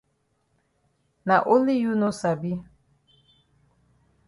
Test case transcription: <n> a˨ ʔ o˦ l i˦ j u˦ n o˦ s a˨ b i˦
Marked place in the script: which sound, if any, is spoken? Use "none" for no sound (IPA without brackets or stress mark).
n